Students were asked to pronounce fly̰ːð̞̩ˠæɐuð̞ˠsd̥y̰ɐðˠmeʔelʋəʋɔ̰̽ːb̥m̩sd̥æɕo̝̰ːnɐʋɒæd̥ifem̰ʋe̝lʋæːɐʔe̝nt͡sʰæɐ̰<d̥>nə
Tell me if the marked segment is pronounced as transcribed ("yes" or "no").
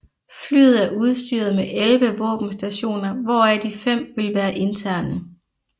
no